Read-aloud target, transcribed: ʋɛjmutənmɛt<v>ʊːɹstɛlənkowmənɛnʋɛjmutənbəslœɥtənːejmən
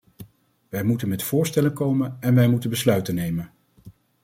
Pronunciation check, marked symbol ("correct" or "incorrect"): incorrect